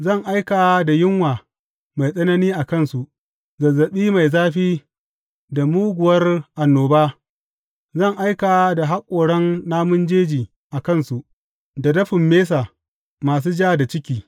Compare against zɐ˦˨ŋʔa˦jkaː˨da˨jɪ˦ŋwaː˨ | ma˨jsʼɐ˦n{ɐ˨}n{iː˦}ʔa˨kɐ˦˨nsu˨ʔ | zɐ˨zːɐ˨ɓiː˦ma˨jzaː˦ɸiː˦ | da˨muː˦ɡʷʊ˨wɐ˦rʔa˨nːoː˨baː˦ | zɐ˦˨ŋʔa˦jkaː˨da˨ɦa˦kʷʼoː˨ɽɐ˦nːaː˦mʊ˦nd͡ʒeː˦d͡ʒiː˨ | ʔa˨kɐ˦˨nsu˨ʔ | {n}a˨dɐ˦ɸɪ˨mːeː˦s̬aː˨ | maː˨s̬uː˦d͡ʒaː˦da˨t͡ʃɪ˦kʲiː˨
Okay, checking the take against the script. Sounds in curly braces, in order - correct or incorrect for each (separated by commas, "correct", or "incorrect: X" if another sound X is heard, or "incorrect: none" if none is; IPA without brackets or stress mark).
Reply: incorrect: ɐ˦, correct, incorrect: d